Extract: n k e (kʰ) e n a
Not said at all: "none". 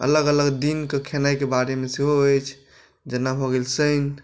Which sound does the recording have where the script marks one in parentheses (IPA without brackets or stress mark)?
kʰ